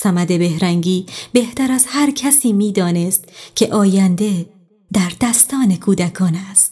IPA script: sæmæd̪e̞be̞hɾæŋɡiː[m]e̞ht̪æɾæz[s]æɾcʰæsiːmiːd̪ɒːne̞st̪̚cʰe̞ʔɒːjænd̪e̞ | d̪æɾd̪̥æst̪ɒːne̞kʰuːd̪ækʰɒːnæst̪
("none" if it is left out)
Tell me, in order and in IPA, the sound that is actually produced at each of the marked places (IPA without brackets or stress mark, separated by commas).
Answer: b, h